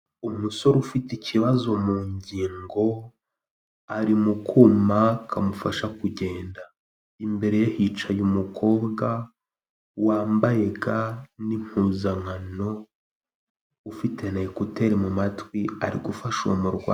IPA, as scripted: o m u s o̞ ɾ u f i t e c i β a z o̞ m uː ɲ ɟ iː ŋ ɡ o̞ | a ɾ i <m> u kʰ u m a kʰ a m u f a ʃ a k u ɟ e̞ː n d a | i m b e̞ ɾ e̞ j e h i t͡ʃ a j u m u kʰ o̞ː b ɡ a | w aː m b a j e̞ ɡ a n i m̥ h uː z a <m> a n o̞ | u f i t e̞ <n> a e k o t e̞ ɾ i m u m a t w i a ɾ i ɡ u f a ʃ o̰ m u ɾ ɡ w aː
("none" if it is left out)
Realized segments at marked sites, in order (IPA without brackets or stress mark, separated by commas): m, ŋ, n